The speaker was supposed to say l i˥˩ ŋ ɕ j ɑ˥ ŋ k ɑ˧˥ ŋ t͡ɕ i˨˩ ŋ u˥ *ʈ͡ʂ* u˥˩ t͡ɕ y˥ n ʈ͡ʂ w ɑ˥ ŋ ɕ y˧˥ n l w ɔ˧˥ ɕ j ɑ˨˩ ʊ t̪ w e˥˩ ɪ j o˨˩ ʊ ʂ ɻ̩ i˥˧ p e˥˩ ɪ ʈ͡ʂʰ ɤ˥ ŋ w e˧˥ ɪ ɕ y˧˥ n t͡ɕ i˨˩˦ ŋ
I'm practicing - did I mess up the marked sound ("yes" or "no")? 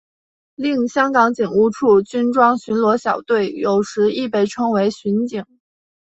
yes